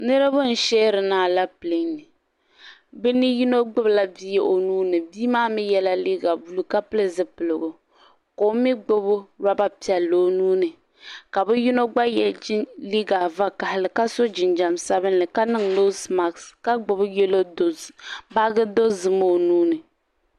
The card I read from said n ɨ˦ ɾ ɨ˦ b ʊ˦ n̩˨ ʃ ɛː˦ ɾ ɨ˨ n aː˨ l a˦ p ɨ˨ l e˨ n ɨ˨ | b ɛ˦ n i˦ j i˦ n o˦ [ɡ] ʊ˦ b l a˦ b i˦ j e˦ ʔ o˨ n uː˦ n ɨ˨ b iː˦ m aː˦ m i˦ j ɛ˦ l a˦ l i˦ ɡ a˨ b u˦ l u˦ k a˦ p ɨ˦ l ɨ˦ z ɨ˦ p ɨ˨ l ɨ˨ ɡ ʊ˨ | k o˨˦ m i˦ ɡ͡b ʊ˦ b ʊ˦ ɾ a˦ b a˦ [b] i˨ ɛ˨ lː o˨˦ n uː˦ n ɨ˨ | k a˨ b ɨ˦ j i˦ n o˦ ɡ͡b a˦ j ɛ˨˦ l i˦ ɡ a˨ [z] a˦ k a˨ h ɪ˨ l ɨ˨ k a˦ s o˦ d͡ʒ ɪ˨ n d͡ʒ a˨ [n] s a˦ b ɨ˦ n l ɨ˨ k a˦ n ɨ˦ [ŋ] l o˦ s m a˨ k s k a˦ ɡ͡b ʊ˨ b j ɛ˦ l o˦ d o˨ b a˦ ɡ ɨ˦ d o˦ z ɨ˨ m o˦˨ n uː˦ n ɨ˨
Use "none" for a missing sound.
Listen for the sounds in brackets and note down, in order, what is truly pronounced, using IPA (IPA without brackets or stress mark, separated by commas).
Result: ɡ͡b, p, v, m, ŋ